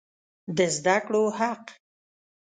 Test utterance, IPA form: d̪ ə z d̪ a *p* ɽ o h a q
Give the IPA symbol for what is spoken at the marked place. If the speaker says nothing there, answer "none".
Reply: k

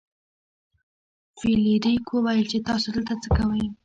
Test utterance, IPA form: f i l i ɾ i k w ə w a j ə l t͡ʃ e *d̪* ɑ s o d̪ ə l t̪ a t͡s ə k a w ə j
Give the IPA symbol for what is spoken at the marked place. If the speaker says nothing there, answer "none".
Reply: t̪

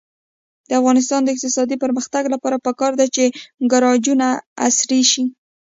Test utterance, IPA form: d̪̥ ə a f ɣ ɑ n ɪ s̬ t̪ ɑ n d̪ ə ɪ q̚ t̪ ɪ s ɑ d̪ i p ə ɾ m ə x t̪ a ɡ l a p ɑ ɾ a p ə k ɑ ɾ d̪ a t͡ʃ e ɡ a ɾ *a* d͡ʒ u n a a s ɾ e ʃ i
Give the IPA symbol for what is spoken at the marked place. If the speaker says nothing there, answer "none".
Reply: ɑ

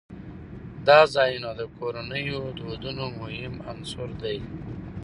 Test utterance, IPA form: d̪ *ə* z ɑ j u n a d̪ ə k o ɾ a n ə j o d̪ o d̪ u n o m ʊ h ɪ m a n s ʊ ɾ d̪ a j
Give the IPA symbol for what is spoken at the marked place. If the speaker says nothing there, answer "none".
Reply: ɑ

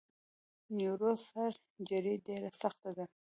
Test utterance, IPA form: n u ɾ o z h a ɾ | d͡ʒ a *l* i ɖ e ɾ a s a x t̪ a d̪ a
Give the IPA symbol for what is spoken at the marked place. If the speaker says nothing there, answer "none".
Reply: ɾ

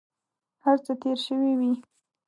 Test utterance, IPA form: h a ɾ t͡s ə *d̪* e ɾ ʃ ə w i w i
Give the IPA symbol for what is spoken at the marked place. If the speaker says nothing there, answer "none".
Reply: t̪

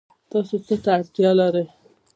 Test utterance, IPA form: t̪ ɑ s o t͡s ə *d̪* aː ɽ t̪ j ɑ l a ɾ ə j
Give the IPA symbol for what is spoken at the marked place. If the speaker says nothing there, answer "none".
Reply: t̪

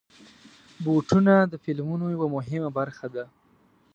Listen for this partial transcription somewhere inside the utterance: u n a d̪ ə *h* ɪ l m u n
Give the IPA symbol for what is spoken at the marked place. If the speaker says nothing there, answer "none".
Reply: f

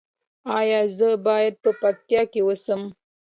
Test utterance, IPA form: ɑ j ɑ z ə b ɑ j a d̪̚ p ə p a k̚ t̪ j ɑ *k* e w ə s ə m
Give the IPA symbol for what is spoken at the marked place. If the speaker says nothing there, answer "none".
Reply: k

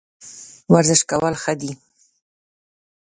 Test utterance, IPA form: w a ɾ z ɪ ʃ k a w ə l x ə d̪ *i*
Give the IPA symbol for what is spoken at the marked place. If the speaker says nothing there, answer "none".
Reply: i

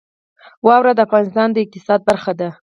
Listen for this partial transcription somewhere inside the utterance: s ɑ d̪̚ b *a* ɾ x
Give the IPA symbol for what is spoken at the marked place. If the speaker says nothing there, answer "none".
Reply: a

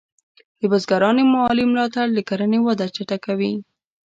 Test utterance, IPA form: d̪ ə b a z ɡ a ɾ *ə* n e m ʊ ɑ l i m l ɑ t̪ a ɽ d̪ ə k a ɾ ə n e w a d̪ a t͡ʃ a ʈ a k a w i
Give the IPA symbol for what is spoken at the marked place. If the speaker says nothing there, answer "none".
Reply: ɑ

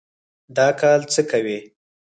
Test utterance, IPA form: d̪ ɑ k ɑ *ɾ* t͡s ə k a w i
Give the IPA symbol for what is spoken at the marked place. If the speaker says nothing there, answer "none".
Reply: l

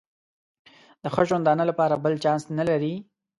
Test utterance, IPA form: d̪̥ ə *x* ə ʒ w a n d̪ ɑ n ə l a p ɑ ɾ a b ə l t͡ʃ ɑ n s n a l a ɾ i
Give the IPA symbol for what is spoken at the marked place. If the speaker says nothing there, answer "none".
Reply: x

